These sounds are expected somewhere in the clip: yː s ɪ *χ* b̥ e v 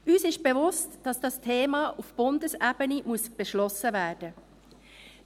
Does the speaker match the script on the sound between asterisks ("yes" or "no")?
no